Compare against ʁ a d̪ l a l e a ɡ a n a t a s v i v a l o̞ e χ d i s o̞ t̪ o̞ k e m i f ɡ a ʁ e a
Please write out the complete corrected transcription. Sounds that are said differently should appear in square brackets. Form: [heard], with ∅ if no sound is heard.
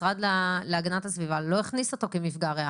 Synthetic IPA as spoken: ʁ a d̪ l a l e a ɡ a n a t a s v i v a l o̞ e χ [n] i s o̞ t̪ o̞ k e m i f ɡ a ʁ e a